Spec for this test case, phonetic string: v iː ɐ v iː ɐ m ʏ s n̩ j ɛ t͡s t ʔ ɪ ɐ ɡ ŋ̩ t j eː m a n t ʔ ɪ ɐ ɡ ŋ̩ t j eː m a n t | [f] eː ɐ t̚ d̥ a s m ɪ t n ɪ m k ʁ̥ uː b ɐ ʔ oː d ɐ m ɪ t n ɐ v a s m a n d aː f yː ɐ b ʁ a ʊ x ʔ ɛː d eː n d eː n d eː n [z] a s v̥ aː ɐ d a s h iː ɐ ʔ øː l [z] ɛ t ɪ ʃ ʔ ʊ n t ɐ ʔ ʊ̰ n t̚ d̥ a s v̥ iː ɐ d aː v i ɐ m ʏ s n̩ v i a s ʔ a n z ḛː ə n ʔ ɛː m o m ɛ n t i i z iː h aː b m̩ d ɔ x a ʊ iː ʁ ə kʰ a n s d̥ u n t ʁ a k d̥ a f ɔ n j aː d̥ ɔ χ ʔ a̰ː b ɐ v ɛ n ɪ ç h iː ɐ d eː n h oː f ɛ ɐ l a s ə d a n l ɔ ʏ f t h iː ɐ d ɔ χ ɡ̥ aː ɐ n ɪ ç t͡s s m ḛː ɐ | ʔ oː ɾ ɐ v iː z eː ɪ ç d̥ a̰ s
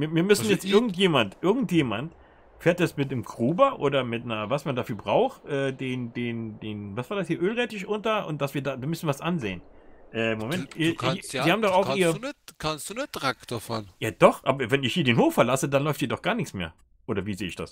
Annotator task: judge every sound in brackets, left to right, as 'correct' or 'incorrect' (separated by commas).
correct, incorrect, incorrect